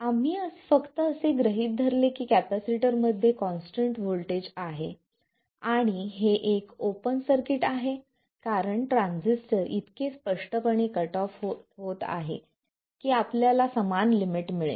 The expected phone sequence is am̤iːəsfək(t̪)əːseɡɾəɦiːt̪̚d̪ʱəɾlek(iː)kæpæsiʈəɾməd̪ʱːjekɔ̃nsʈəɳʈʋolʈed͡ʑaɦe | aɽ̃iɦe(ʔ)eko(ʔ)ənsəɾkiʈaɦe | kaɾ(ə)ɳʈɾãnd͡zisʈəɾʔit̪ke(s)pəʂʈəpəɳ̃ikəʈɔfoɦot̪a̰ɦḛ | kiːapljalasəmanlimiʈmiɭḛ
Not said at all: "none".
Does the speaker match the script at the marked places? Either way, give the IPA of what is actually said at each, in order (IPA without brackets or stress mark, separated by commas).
t̪, iː, ʔ, p, ə, s